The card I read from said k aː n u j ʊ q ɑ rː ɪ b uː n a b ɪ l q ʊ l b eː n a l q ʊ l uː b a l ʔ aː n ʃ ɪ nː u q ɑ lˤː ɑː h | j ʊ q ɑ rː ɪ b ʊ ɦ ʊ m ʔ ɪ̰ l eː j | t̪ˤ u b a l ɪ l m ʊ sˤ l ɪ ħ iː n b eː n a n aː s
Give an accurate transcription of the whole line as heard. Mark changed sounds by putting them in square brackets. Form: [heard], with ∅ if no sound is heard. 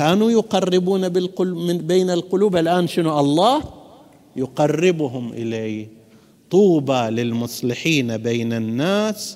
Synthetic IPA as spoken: k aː n u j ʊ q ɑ rː ɪ b uː n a b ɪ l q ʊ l b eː n a l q ʊ l uː b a l ʔ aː n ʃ ɪ [n] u [ʔ] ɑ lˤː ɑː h | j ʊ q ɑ rː ɪ b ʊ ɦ ʊ m ʔ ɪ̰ l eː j | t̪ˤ [uː] b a l ɪ l m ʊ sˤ l ɪ ħ iː n b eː n a [nː] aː s